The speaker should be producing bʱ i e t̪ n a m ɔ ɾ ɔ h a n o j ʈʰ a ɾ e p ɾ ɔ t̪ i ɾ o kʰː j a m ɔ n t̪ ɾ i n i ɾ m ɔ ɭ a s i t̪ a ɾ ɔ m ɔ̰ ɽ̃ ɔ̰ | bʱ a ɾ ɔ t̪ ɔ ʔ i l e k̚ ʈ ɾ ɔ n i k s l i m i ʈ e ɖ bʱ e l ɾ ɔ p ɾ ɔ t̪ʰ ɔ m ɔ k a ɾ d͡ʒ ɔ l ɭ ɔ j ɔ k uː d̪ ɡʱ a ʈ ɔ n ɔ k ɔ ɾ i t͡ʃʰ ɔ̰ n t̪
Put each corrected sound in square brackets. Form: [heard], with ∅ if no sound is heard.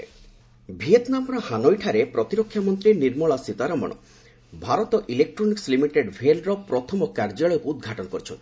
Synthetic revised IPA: bʱ i e t̪ n a m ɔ ɾ ɔ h a n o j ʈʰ a ɾ e p ɾ ɔ t̪ i ɾ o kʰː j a m ɔ n t̪ ɾ i n i ɾ m ɔ ɭ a s i t̪ a ɾ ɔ m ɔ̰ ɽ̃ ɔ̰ | bʱ a ɾ ɔ t̪ ɔ ʔ i l e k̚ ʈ ɾ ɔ n i k s l i m i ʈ e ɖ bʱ e l ɾ ɔ p ɾ ɔ t̪ʰ ɔ m ɔ k a ɾ d͡ʒ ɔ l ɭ ɔ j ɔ k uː d̪ ɡʱ a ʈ ɔ n ɔ k ɔ ɾ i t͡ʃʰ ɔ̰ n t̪